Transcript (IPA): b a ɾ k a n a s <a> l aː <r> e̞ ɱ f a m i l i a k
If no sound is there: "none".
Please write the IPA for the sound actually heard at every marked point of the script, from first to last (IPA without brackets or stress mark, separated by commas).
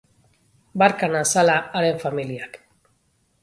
a, ɾ